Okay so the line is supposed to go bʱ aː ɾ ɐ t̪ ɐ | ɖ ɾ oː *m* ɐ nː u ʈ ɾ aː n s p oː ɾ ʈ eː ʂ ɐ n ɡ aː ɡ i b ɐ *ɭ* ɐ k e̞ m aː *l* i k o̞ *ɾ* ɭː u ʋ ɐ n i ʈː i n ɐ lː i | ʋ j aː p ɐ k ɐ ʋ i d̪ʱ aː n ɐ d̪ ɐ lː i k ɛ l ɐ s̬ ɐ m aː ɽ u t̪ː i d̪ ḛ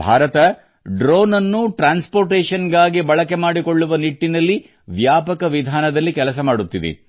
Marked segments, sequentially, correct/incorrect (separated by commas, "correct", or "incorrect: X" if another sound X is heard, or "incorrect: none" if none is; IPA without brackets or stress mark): incorrect: n, correct, incorrect: ɽ, incorrect: none